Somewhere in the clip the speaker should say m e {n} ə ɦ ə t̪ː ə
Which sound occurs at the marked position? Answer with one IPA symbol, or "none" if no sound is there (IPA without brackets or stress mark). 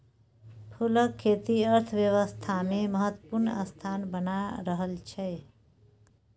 m